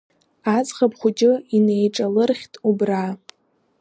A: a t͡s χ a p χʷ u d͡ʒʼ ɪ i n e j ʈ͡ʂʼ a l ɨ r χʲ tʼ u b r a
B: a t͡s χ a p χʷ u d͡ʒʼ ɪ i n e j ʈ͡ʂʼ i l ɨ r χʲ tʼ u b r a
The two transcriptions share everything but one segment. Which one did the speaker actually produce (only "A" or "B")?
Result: A